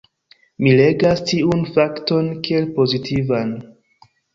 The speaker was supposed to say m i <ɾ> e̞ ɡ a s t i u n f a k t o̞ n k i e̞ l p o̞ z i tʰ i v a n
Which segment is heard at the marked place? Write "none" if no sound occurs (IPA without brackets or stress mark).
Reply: l